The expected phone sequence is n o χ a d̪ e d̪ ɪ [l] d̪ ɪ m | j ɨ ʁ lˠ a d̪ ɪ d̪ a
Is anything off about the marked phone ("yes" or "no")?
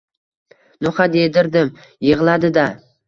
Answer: yes